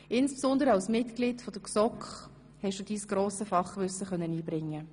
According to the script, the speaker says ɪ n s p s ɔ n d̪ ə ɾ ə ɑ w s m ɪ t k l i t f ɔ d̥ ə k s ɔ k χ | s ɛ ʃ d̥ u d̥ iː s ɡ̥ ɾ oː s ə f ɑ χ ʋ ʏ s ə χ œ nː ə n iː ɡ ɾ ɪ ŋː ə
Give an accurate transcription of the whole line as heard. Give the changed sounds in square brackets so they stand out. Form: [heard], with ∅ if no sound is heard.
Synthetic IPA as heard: ɪ n s p s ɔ n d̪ ə ɾ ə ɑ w s m ɪ t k l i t f ɔ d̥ ə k s ɔ k χ | [h] ɛ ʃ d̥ u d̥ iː s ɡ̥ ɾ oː s ə f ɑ χ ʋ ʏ s ə χ œ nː ə n iː [b] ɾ ɪ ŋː ə